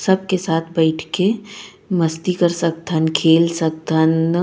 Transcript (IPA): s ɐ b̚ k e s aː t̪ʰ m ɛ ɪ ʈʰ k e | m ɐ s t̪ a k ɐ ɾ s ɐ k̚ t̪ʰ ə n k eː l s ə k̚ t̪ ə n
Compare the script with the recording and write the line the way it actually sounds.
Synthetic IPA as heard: s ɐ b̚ k e s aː t̪ʰ b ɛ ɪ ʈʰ k e | m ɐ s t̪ i k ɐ ɾ s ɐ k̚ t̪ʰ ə n kʰ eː l s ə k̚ t̪ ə n